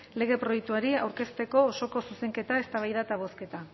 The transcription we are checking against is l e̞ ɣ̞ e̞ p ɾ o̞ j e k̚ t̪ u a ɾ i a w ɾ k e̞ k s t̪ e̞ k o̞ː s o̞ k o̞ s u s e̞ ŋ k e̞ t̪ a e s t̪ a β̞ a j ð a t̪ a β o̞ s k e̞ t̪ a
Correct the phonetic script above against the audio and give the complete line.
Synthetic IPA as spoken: l e̞ ɣ̞ e̞ p ɾ o̞ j e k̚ t̪ u a ɾ i a w ɾ k e̞ s t̪ e̞ k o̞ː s o̞ k o̞ s u s e̞ ŋ k e̞ t̪ a e s t̪ a β̞ a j ð a t̪ a β o̞ s k e̞ t̪ a